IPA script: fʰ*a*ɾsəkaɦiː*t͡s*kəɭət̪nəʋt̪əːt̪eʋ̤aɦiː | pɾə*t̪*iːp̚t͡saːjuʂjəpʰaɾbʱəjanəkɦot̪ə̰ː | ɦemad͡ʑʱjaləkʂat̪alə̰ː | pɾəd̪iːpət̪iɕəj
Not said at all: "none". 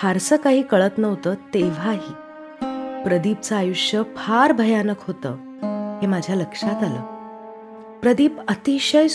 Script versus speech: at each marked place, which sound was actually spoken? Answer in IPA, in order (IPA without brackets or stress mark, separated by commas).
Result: a, none, d̪